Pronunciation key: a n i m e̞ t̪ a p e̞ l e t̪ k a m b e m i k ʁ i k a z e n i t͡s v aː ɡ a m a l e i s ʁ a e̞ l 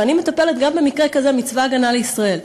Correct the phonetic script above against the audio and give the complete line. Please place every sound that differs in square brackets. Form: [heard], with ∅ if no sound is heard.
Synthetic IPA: a n i m e̞ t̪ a p e̞ l e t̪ [ɡ] a m b e m i k ʁ [e] k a z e [m] i t͡s v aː ɡ a [n] a l e i s ʁ a e̞ l